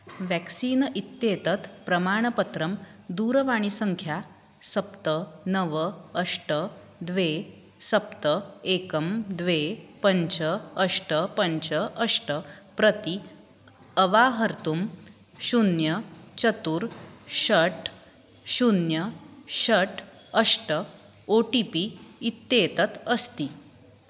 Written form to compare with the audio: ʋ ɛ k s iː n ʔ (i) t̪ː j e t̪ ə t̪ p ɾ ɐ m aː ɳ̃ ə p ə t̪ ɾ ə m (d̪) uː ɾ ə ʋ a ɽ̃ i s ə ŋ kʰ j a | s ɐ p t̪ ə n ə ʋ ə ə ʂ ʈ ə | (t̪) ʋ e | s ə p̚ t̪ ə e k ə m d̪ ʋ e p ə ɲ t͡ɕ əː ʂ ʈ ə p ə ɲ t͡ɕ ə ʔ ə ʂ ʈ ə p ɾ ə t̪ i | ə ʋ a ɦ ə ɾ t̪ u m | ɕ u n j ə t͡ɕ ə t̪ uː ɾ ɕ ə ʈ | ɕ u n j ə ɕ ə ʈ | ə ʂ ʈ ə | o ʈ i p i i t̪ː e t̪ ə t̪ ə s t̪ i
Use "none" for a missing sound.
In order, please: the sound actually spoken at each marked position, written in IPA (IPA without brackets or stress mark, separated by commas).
i, d̪, d̪